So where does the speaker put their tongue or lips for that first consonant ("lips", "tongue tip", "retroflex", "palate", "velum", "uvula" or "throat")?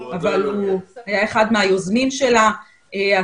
lips